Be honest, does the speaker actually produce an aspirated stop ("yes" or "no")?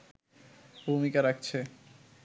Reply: yes